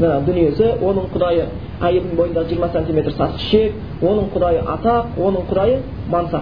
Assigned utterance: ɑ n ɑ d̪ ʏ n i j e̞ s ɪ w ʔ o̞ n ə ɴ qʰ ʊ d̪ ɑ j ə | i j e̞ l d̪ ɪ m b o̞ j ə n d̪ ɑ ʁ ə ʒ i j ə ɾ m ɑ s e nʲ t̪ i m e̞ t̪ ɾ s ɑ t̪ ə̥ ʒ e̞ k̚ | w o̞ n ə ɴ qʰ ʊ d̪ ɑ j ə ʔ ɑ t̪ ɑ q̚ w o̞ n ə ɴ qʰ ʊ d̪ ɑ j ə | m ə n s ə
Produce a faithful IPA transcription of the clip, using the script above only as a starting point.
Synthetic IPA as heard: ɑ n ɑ d̪ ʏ n i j e̞ s ɪ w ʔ o̞ n ə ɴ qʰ ʊ d̪ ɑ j ə | æ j e̞ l d̪ ɪ ŋ b o̞ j ə n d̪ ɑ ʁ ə ʒ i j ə ɾ m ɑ s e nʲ t̪ i m e̞ t̪ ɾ s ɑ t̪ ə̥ ʃ e̞ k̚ | w o̞ n ə ɴ qʰ ʊ d̪ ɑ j ə ʔ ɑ t̪ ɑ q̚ w o̞ n ə ɴ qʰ ʊ d̪ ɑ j ə | m ɑ n s ɑ